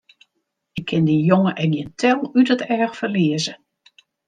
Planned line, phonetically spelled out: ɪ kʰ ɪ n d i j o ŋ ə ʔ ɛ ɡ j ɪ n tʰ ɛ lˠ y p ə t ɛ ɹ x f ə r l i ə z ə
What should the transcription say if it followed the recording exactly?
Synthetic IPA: ɪ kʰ ɪ n d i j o ŋ ə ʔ ɛ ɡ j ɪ n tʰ ɛ lˠ y t ə t ɛ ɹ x f ə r l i ə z ə